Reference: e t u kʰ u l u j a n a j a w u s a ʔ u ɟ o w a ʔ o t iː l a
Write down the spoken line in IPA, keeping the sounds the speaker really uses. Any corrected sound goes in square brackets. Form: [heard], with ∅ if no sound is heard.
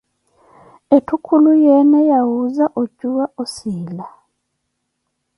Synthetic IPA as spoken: e t u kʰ u l u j [e] n [e] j a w u [z] a ʔ [o] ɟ [u] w a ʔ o [s] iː l a